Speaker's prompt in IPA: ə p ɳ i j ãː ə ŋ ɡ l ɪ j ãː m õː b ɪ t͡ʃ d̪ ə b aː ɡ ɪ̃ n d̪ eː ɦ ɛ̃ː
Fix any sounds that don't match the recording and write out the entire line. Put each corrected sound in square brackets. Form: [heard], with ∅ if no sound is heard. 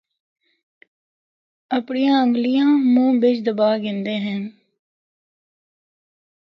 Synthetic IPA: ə p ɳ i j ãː ə ŋ ɡ l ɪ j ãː m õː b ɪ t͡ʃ d̪ ə b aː ɡ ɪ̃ n d̪ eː ɦ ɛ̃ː